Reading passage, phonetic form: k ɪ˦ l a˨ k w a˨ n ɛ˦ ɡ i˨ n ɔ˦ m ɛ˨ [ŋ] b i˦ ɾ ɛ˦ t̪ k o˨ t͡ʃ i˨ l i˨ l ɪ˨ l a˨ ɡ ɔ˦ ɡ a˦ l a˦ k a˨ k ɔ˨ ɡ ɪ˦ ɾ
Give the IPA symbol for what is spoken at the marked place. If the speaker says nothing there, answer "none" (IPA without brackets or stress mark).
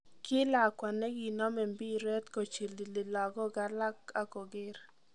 m